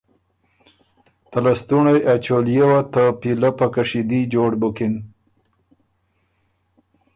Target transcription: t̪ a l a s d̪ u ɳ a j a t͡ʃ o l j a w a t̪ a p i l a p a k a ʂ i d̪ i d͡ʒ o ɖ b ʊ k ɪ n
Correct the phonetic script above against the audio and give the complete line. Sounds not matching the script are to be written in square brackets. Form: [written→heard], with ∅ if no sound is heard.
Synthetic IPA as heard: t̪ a l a s [d̪→t̪] u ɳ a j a t͡ʃ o l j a w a t̪ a p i l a p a k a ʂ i d̪ i d͡ʒ o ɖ b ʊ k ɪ n